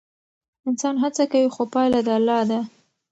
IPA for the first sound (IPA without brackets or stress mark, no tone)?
ɪ